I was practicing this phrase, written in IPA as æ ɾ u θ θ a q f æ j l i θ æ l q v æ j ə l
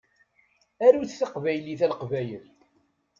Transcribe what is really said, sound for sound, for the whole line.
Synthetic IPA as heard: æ ɾ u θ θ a q v æ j l i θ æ l q v æ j ə l